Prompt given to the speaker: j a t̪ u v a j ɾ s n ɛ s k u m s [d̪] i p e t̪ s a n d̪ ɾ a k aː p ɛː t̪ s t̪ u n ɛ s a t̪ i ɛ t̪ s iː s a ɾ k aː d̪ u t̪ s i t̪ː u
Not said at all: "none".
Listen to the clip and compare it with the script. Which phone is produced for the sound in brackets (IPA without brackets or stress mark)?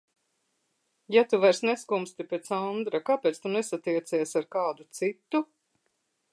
t̪